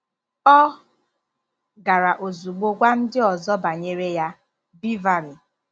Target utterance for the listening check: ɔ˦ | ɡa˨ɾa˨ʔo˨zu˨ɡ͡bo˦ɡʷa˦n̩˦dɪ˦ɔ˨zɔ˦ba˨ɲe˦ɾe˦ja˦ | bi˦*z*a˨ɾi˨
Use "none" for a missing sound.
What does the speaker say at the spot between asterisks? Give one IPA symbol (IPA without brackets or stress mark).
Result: v